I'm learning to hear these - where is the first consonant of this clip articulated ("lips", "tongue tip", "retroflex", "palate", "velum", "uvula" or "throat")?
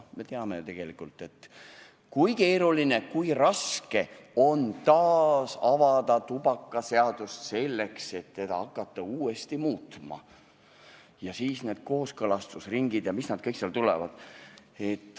lips